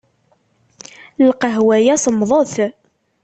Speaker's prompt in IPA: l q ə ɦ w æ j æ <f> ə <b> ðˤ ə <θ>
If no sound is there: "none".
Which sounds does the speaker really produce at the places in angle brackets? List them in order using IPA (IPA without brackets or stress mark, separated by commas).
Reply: s, m, θ